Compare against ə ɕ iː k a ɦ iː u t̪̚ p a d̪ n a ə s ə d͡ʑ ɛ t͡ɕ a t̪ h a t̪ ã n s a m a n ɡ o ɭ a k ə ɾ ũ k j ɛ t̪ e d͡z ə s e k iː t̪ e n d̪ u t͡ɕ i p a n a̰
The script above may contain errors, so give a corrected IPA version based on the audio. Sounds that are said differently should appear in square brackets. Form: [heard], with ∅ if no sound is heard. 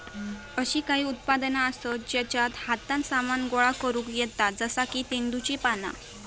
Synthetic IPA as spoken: ə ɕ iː k a ɦ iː u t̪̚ p a d̪ n a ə s ə d͡ʑ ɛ t͡ɕ a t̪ h a t̪ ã n s a m a n ɡ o ɭ a k ə ɾ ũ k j ɛ t̪ [a] d͡z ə s [a] k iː t̪ e n d̪ u t͡ɕ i p a n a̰